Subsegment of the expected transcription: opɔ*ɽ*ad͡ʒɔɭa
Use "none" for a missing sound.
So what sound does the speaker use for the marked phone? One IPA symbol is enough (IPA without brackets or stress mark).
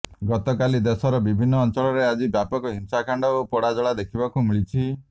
ɽ